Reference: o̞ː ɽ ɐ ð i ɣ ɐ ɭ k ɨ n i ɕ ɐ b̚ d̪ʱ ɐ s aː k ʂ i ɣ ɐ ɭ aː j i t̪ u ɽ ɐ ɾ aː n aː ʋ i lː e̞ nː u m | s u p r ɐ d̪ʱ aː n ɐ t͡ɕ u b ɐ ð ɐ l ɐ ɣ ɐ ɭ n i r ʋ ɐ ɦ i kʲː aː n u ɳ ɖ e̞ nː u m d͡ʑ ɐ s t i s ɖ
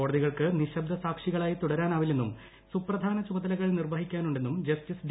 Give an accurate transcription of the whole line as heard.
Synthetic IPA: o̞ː ɽ ɐ ð i ɣ ɐ ɭ k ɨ n i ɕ ɐ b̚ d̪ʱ ɐ s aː k ʂ i ɣ ɐ ɭ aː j i t̪ u ɽ ɐ ɾ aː n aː ʋ i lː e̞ nː u m | s u p r ɐ d̪ʱ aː n ɐ t͡ɕ u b ɐ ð ɐ l ɐ ɣ ɐ ɭ n i r ʋ ɐ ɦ i kʲː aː n u ɳ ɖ e̞ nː u m d͡ʑ ɐ s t i s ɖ